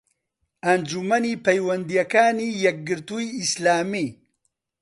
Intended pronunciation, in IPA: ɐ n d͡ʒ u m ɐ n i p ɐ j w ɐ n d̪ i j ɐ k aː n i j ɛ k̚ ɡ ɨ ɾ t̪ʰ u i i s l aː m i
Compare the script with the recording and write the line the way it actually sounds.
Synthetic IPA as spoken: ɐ n d͡ʒ u m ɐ n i p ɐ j w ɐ n d̪ i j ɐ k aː n i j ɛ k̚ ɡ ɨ ɾ t̪ u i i s l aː m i